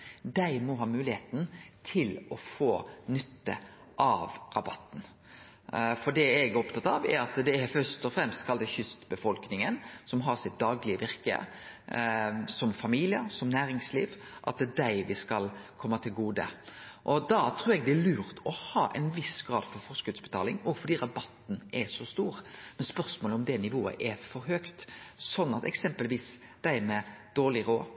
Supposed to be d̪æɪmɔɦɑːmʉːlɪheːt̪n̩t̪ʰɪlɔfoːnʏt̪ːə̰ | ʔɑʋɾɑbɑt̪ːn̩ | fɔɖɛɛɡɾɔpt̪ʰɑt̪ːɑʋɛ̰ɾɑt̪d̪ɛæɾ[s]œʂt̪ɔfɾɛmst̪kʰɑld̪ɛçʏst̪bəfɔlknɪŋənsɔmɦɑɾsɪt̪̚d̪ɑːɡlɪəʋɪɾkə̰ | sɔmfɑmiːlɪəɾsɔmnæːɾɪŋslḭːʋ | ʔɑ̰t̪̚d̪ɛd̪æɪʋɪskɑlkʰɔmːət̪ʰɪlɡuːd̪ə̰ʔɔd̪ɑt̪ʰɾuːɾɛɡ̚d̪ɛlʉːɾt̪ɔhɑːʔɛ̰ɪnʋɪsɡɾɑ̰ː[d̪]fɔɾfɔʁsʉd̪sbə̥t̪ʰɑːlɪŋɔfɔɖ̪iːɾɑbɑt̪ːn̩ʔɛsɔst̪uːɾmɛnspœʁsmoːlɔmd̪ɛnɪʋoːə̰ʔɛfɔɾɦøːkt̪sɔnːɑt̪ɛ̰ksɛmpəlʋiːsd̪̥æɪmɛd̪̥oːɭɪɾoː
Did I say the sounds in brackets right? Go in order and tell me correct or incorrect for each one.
incorrect: f, correct

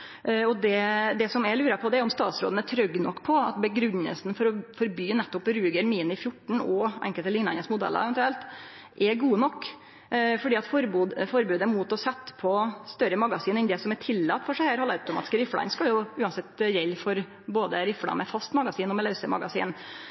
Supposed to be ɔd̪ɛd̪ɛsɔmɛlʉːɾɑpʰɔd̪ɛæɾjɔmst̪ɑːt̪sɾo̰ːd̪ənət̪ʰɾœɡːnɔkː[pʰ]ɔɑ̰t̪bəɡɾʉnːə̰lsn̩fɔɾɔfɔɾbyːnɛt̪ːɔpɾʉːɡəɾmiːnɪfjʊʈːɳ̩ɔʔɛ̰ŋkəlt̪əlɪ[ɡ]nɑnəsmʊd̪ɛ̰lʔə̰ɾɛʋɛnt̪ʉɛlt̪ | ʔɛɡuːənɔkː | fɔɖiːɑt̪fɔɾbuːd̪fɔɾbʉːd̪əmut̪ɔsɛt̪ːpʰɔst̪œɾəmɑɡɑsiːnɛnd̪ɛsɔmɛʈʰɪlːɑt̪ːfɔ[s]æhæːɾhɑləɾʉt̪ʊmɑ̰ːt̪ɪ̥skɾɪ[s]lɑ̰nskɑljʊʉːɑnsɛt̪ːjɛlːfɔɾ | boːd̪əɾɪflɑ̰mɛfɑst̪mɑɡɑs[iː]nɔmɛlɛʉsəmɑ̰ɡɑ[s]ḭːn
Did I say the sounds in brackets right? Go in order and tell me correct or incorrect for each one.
correct, incorrect: ŋ, incorrect: ʂ, incorrect: f, correct, correct

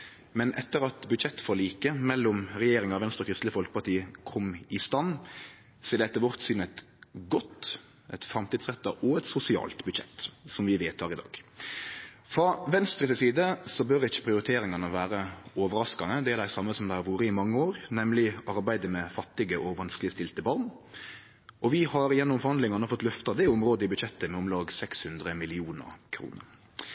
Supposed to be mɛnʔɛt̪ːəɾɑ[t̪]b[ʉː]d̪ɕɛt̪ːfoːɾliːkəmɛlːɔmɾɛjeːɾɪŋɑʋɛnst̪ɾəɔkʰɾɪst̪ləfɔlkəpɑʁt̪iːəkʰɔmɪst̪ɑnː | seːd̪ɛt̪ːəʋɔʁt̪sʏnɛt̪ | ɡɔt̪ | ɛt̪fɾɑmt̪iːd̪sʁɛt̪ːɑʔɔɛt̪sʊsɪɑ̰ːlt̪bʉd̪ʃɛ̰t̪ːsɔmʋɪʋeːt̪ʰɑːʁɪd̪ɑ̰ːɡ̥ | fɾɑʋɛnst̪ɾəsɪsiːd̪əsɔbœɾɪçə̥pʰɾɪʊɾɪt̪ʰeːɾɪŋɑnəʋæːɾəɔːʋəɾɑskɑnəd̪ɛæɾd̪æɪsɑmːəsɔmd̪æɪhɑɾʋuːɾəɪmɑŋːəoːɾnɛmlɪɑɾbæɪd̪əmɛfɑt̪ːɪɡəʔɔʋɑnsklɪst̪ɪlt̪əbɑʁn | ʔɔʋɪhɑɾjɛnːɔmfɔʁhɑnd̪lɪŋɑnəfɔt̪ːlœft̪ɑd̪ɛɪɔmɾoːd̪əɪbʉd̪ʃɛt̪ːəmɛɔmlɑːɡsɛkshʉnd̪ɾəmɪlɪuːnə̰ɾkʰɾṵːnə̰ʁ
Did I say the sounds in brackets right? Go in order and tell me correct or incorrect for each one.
correct, incorrect: ʉ

